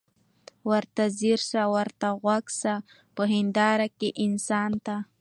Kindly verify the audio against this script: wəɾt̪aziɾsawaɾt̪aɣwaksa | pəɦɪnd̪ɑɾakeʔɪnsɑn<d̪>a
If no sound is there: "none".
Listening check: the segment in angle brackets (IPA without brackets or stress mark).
t̪